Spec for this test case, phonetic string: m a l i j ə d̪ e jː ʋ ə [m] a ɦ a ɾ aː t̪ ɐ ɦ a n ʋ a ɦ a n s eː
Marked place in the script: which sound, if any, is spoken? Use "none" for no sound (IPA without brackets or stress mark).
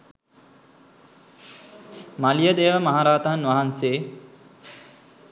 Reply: m